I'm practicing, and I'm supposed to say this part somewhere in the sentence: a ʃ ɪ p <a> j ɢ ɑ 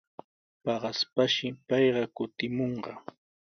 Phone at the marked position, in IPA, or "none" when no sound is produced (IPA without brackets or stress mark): ɑ